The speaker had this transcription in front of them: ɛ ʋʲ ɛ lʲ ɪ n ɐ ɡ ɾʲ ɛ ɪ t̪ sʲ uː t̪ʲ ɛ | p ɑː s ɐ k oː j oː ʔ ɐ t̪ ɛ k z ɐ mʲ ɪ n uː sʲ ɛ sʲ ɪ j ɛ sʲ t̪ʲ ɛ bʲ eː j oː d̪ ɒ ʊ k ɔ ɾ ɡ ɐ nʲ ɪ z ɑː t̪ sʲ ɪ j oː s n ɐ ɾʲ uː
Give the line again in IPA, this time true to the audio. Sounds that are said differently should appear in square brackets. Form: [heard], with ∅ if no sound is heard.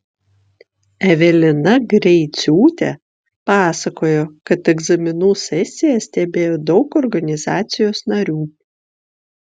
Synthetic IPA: ɛ ʋʲ ɛ lʲ ɪ n ɐ ɡ ɾʲ ɛ ɪ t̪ sʲ uː t̪ʲ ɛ | p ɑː s ɐ k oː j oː [k] ɐ t̪ ɛ [ɡ] z ɐ mʲ ɪ n uː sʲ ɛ sʲ ɪ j ɛ sʲ t̪ʲ ɛ bʲ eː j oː d̪ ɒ ʊ k ɔ ɾ ɡ ɐ nʲ ɪ z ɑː t̪ sʲ ɪ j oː s n ɐ ɾʲ uː